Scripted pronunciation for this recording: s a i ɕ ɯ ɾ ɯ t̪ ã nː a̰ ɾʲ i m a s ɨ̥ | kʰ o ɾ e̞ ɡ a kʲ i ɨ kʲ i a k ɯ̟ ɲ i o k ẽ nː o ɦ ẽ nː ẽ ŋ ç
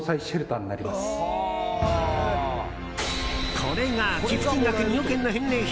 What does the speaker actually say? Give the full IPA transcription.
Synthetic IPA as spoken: s a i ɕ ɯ ɾ ɯ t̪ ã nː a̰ ɾʲ i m a s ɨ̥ | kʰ o ɾ e̞ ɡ a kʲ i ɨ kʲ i a k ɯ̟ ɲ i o k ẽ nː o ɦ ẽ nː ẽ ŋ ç